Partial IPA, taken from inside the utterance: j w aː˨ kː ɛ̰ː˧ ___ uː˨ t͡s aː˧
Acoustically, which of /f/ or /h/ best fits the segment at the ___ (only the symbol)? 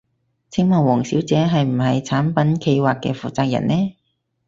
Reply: f